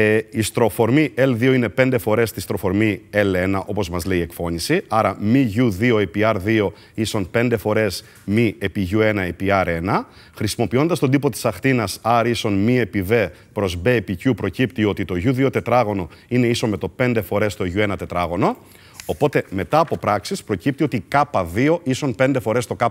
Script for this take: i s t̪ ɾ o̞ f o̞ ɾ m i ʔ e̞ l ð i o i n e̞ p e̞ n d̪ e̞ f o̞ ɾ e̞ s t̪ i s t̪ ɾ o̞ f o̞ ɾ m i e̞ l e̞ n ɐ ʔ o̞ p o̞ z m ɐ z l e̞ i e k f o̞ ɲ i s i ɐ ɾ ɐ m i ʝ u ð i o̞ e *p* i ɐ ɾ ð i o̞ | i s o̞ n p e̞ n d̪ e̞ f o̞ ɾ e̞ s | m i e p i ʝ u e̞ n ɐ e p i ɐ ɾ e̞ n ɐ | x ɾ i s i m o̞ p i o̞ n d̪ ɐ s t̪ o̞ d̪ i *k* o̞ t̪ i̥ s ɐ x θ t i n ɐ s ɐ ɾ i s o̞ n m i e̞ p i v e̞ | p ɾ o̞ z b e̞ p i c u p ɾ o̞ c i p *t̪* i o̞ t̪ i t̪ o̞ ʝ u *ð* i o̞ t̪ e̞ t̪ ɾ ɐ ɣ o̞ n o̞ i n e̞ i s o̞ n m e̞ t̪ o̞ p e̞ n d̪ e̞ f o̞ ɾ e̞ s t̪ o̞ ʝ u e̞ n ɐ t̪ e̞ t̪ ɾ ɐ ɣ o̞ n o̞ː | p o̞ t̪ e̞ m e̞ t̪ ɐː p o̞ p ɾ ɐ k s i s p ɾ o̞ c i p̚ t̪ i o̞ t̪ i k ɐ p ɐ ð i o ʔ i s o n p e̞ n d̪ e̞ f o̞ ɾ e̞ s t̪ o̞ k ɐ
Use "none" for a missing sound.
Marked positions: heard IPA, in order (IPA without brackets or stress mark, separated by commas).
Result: p, p, t̪, ð